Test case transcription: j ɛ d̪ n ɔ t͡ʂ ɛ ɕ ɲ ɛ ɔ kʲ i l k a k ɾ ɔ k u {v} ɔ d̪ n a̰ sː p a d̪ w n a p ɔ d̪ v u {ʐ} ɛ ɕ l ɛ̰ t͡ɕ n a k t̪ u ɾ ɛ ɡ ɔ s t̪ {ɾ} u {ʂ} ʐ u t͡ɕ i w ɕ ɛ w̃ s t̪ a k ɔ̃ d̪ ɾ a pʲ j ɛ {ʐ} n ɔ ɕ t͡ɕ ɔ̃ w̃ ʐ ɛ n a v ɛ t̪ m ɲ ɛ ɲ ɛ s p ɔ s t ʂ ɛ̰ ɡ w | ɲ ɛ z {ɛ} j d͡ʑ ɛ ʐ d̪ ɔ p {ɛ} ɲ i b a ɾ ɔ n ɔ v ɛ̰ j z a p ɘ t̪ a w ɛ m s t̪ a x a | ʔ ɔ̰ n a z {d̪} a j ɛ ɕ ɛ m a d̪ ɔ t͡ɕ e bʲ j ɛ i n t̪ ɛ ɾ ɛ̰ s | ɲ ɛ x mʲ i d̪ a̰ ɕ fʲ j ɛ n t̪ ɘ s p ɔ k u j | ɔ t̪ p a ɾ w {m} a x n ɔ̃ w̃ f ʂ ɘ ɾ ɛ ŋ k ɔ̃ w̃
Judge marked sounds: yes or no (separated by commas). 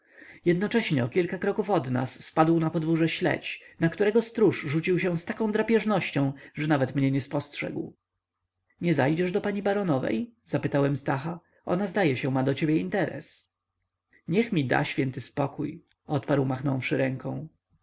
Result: no, yes, yes, yes, yes, no, no, yes, yes